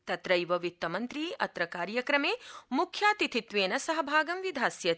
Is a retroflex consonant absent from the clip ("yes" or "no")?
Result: yes